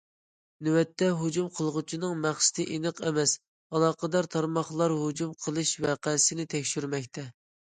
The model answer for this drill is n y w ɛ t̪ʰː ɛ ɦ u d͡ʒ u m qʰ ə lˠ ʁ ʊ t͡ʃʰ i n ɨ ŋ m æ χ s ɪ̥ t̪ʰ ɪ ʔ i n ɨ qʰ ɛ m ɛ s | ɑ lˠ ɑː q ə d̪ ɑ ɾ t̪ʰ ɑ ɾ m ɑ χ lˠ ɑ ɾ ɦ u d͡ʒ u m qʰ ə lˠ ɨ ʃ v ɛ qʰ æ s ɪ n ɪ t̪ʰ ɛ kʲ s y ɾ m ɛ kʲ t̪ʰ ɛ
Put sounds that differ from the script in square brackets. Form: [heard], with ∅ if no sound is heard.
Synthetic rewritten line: n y w ɛ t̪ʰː ɛ ɦ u d͡ʒ u m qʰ ə lˠ ʁ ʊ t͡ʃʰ i n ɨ ŋ m æ χ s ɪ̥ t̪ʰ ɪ ʔ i n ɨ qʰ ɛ m ɛ s | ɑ lˠ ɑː q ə d̪ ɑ ɾ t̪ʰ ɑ ɾ m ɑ χ lˠ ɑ ɾ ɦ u d͡ʒ u m qʰ ə lˠ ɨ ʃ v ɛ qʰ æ s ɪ n ɪ t̪ʰ ɛ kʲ [ʃ] y ɾ m ɛ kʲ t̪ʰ ɛ